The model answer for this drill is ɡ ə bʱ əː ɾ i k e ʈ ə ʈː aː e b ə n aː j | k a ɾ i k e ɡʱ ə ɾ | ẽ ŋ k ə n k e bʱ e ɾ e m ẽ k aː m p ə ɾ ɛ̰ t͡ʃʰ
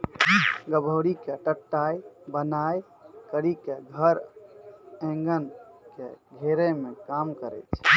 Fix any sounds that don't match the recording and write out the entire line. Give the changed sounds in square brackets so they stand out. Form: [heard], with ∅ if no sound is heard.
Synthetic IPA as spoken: ɡ ə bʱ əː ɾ i k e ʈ ə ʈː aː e b ə n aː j | k [ə] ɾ i k e ɡʱ ə ɾ | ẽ ŋ [ɡ] ə n k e [ɡʱ] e ɾ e m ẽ k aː m [k] ə ɾ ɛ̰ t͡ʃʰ